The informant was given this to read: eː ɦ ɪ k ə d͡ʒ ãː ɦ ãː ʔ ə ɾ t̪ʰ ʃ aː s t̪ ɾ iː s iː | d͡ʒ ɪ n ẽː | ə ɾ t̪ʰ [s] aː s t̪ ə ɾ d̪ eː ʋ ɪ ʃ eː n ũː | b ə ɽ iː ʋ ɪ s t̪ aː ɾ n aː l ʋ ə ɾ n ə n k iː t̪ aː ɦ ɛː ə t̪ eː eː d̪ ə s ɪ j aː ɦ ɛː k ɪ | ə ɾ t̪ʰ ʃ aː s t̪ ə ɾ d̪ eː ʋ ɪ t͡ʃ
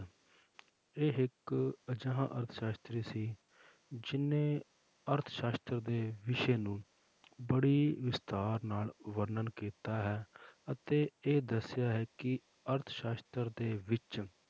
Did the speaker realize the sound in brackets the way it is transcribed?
no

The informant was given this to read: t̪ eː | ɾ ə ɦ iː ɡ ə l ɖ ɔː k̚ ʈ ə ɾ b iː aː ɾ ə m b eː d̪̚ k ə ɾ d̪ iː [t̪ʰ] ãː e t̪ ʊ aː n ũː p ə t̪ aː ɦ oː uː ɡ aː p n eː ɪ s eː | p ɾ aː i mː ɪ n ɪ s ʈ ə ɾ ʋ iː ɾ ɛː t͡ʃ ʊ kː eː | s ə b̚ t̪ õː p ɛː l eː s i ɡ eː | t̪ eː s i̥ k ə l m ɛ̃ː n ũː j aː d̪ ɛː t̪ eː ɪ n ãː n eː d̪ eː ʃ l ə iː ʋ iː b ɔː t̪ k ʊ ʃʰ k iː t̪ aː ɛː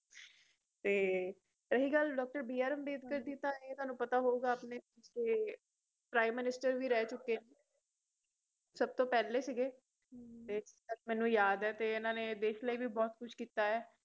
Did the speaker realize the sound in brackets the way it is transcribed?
no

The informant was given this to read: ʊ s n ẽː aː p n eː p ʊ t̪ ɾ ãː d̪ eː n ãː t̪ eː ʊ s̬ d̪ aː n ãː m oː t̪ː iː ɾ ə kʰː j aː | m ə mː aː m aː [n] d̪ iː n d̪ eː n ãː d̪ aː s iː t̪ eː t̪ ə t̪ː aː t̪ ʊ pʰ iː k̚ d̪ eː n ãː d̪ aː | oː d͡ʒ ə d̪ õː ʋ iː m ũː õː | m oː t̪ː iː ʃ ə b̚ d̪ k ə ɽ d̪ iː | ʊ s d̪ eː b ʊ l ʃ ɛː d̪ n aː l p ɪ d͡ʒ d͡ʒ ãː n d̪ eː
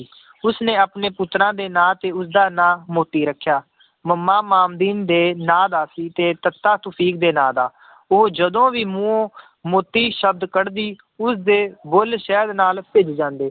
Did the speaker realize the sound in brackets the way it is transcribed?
no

